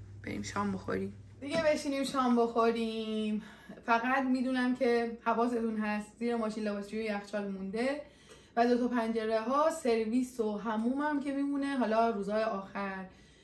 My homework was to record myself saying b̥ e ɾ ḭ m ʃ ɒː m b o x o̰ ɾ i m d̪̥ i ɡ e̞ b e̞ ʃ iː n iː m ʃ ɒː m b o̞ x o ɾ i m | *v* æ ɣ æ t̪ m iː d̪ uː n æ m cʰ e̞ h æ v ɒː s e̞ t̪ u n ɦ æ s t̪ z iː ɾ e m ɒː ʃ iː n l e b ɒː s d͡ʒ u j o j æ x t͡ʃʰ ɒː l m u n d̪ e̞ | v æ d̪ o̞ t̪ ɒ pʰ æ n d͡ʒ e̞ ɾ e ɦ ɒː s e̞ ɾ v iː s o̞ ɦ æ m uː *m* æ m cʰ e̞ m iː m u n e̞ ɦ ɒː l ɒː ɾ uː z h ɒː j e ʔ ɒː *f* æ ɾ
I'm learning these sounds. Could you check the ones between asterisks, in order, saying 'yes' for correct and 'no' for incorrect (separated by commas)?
no, yes, no